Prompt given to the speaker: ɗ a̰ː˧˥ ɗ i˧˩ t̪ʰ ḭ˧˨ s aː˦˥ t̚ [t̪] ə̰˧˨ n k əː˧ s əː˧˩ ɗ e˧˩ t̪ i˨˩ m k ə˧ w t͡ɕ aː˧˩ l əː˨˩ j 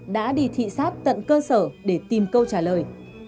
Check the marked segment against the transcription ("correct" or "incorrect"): correct